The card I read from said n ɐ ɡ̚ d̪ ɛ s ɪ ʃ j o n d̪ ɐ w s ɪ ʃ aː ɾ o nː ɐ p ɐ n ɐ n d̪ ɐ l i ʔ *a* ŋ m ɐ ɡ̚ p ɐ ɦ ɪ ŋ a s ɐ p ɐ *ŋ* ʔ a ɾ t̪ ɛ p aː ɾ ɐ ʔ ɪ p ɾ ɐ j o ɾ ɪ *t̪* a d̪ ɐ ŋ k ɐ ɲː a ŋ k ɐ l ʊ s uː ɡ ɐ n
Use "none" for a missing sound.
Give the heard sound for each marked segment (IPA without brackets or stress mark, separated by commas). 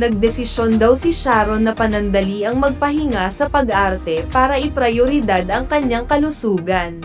ɐ, ɡ, d̪